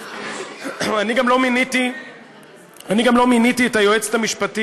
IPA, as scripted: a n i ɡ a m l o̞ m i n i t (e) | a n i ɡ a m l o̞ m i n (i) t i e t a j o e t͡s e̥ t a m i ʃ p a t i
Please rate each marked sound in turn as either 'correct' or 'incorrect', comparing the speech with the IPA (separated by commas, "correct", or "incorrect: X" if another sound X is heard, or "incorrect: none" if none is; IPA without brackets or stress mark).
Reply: incorrect: i, correct